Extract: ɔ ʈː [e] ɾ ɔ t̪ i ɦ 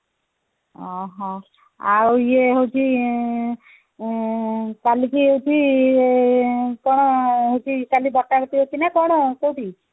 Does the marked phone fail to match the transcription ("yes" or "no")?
yes